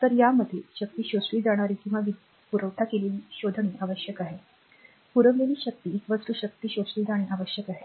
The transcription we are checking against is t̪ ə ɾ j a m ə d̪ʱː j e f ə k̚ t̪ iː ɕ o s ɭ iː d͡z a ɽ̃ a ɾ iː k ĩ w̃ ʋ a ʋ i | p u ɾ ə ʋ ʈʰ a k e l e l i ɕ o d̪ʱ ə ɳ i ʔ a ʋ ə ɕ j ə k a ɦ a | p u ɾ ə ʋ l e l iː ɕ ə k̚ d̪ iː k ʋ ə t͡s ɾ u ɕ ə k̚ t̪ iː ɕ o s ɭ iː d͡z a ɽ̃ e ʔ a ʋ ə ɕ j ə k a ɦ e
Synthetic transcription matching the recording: t̪ ə ɾ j a m ə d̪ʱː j e ɕ ə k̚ t̪ iː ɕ o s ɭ iː d͡z a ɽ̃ a ɾ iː k ĩ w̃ ʋ a ʋ i | p u ɾ ə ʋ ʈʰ a k e l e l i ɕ o d̪ʱ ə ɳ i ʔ a ʋ ə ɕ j ə k a ɦ e | p u ɾ ə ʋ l e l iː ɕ ə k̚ t̪ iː k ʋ ə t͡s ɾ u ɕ ə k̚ t̪ iː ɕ o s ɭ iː d͡z a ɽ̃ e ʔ a ʋ ə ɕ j ə k a ɦ e